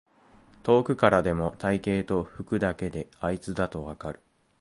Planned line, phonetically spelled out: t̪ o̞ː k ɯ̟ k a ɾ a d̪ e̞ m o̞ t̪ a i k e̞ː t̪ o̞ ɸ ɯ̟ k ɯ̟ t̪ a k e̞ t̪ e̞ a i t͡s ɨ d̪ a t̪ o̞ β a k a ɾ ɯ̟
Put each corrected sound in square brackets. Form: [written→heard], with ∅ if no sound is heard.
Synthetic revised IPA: t̪ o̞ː k ɯ̟ k a ɾ a d̪ e̞ m o̞ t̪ a i k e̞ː t̪ o̞ ɸ ɯ̟ k ɯ̟ [t̪→d̪] a k e̞ [t̪→d̪] e̞ a i t͡s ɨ d̪ a t̪ o̞ β a k a ɾ ɯ̟